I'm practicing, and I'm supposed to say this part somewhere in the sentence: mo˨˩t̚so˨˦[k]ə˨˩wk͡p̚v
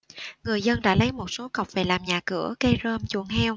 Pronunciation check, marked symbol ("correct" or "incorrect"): correct